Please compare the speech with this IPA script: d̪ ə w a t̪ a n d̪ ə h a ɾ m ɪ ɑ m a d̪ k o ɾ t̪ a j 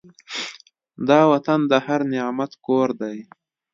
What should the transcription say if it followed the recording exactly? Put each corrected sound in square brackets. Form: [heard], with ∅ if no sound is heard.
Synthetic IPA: d̪ [ɑ] w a t̪ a n d̪ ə h a ɾ [n] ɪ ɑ m a [t̪] k o ɾ [d̪] a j